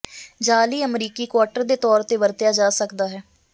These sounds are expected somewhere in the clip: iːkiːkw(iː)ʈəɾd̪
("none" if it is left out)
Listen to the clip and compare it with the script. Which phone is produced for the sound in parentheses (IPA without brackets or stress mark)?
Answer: aː